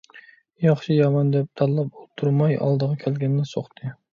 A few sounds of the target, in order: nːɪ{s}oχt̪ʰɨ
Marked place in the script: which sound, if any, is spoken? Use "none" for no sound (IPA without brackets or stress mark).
s